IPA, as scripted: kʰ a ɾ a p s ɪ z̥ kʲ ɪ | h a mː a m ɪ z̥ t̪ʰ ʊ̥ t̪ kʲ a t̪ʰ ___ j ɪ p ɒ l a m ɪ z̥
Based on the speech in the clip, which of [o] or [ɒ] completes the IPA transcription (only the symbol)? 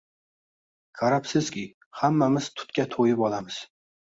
o